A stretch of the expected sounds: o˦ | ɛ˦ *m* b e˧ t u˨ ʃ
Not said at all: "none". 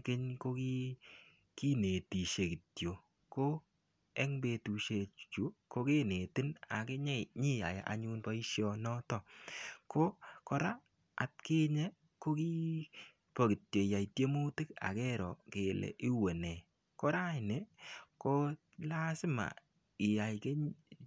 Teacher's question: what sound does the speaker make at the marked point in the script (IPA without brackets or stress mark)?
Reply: ŋ